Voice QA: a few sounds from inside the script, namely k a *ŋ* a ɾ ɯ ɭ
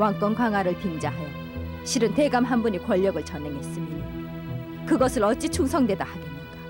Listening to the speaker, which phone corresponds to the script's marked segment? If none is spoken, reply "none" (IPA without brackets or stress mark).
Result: ŋ